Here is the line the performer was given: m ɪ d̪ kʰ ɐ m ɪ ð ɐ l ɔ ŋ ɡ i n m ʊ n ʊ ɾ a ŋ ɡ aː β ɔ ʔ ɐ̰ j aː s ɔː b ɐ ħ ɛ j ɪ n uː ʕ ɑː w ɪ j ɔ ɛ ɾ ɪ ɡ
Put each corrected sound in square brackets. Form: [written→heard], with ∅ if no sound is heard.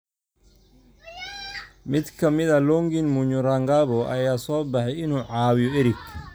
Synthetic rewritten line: m ɪ d̪ kʰ ɐ m ɪ ð ɐ l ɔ ŋ ɡ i n m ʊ [n→ɲ] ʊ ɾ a ŋ ɡ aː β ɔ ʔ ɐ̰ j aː s ɔː b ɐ ħ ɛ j ɪ n uː ʕ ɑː w ɪ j ɔ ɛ ɾ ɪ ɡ